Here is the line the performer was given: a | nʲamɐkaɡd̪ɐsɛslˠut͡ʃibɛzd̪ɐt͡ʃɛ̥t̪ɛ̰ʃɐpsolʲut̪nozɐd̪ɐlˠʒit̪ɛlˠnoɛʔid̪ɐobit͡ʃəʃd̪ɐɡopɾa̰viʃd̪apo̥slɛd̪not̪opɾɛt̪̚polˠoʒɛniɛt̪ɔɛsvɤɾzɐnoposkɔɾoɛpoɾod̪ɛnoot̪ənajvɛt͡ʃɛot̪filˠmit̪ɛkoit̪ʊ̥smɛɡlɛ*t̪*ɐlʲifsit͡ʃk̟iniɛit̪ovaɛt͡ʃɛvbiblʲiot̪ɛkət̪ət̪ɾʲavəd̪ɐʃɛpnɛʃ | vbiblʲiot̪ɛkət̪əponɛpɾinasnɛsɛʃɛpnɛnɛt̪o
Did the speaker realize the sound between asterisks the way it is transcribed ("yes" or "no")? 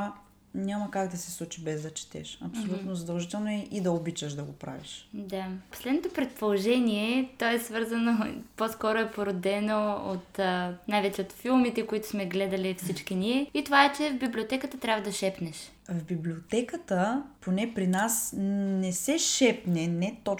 no